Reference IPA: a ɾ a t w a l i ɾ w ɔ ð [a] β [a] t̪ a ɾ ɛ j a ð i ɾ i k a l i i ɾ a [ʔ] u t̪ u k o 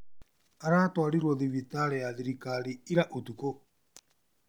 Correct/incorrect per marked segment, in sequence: incorrect: i, incorrect: i, correct

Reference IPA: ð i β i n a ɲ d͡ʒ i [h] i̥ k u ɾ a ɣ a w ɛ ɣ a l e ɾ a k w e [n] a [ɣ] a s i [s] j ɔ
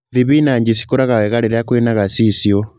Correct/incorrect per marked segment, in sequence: incorrect: s, correct, correct, correct

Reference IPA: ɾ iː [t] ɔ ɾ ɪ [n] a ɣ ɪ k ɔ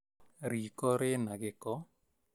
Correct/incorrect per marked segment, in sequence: incorrect: k, correct

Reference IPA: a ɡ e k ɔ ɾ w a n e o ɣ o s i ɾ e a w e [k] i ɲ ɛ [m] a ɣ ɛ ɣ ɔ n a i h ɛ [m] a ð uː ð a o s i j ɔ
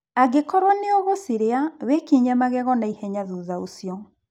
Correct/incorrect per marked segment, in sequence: correct, correct, incorrect: ɲ

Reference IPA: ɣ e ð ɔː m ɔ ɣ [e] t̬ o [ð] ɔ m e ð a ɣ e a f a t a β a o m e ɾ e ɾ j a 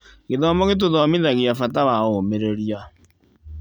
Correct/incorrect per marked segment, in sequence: correct, correct

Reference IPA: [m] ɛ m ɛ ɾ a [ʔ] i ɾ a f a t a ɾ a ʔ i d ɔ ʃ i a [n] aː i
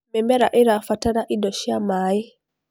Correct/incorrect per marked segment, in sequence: correct, correct, incorrect: m

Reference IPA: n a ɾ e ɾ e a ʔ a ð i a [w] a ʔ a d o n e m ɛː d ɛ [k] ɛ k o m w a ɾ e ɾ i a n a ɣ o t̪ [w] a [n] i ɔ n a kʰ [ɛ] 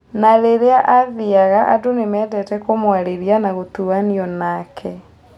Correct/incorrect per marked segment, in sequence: incorrect: ɣ, incorrect: t, incorrect: u, correct, correct

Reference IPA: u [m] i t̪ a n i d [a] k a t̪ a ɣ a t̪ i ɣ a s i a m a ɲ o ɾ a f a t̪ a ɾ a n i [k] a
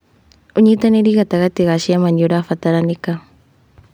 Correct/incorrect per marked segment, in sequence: incorrect: ɲ, incorrect: i, correct

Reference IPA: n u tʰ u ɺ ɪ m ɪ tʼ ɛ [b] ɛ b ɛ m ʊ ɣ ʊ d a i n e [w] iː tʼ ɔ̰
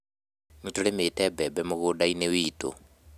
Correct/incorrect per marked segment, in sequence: correct, correct

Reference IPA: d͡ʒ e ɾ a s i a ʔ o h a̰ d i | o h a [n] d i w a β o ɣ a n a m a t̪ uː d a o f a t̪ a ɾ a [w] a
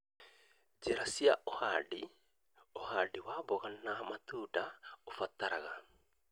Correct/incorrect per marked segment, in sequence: incorrect: none, incorrect: ɣ

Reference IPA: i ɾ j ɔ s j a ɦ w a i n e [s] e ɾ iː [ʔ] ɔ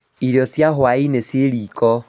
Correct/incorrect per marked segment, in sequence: correct, incorrect: k

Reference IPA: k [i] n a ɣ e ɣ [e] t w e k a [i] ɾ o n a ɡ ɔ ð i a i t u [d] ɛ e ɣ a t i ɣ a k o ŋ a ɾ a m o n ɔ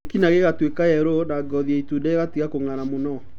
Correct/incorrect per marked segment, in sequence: correct, incorrect: a, incorrect: ɛ, correct

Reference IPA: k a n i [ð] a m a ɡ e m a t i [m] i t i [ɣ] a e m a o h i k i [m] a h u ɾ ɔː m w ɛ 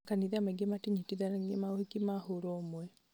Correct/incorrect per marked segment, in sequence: correct, incorrect: ɲ, incorrect: ð, correct

